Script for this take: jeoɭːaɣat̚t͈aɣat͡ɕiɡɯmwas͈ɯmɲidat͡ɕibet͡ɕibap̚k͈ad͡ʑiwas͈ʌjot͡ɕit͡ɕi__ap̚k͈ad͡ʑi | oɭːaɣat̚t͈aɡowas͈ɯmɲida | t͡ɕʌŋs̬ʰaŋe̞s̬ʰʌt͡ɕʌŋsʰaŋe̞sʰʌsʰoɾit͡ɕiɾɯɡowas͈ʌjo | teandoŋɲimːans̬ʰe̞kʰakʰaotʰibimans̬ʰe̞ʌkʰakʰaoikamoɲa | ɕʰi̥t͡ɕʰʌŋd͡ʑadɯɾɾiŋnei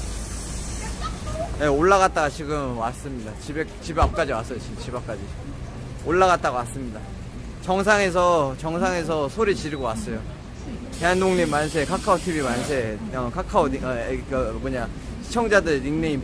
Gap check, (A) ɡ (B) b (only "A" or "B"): B